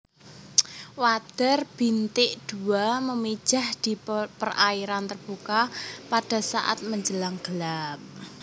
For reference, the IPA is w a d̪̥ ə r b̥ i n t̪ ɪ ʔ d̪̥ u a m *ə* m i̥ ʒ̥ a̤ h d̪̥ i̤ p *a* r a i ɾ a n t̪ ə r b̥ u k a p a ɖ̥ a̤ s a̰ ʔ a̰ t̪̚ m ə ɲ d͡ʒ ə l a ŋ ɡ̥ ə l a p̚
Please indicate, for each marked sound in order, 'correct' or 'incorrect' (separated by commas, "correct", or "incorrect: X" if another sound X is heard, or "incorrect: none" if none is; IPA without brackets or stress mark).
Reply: correct, incorrect: ə